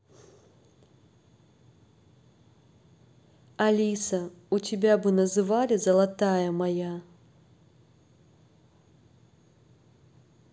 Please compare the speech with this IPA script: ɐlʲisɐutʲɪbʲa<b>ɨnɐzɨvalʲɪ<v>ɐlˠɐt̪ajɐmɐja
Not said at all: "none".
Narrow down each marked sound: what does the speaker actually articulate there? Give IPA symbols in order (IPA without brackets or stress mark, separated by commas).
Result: b, z